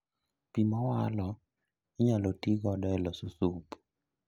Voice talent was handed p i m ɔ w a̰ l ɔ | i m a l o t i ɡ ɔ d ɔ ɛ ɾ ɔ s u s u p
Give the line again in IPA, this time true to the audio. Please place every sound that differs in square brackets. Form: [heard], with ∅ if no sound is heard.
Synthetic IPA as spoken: p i m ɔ w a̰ l ɔ | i [ɲ] a l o t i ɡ ɔ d ɔ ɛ [l] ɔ s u s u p